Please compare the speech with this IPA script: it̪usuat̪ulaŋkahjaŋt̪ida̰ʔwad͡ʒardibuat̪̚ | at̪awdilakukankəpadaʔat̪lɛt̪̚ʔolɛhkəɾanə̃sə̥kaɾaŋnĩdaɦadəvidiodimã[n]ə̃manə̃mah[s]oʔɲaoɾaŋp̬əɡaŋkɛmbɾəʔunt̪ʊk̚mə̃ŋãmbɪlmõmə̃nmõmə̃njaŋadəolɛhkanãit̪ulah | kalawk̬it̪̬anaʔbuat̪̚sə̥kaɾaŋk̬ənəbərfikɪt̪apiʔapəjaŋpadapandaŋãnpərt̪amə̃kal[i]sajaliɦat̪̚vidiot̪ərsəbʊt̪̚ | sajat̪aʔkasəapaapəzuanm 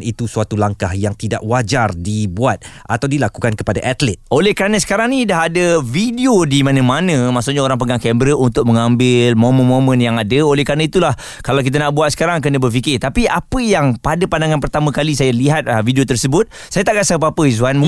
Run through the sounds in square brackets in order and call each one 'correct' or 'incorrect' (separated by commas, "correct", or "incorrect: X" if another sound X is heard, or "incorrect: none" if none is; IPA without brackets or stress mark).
correct, correct, correct